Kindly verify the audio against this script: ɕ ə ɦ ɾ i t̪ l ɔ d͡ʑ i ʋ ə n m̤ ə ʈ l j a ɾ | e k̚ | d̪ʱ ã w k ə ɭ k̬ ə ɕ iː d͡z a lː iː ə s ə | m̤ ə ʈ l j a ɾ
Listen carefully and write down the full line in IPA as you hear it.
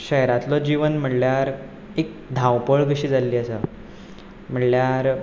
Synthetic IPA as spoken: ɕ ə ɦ ɾ a t̪ l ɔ d͡ʑ i ʋ ə n m̤ ə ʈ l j a ɾ | e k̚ | d̪ʱ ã w p ə ɭ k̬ ə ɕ iː d͡z a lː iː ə s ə | m̤ ə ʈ l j a ɾ